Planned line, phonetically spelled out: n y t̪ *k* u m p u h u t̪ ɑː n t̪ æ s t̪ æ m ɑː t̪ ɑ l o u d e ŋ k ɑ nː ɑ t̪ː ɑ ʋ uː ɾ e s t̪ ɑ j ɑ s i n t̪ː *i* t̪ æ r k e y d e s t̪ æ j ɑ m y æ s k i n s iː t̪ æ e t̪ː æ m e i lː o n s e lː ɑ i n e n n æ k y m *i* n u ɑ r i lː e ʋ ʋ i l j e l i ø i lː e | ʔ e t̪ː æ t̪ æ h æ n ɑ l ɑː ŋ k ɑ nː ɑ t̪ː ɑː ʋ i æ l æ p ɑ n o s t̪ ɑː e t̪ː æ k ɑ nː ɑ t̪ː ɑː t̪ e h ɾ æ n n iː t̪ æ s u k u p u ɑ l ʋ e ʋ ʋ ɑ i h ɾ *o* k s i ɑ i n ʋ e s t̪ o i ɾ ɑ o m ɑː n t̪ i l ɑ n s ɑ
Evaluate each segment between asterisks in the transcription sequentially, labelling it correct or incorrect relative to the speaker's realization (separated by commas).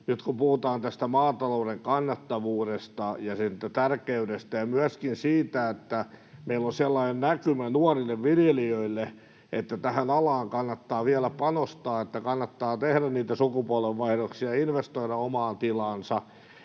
correct, incorrect, incorrect, correct